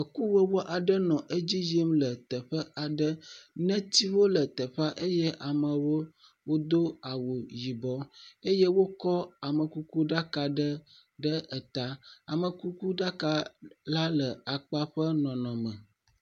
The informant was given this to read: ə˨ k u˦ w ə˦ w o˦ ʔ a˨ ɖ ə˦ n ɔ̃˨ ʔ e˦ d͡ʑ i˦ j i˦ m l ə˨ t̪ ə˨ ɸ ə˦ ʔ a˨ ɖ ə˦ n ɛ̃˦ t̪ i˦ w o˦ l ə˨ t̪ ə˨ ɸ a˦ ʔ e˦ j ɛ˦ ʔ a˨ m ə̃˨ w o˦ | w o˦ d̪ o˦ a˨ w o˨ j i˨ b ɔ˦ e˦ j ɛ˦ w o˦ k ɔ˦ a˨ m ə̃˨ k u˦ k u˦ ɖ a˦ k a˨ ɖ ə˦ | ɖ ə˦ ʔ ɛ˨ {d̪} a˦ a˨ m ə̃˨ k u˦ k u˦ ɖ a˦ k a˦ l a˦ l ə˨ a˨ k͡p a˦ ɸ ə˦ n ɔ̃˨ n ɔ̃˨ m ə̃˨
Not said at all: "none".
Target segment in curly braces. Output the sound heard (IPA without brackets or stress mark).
t̪